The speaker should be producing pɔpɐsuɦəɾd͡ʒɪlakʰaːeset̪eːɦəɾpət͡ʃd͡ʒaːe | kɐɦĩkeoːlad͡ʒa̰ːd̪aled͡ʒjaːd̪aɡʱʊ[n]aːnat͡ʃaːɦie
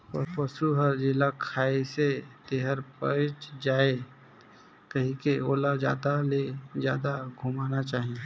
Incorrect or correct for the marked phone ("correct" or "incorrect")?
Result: incorrect